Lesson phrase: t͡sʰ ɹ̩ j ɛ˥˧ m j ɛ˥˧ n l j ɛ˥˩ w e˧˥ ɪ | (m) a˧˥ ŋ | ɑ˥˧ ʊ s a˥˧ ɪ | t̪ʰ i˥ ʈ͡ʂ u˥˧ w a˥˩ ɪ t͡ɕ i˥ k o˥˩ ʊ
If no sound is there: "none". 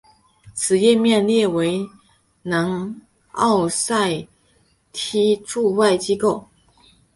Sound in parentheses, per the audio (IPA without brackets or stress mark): n